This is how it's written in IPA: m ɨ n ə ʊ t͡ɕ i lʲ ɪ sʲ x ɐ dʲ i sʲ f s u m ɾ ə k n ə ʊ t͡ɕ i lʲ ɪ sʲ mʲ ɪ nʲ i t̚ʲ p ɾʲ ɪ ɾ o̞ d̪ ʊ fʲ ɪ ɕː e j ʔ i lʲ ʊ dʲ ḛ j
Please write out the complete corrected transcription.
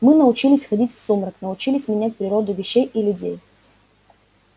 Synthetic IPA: m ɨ n ə ʊ t͡ɕ i lʲ ɪ sʲ x ɐ dʲ i tʲ f s u m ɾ ə k n ə ʊ t͡ɕ i lʲ ɪ sʲ mʲ ɪ nʲ æ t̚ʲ p ɾʲ ɪ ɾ o̞ d̪ ʊ vʲ ɪ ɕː e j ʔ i lʲ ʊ dʲ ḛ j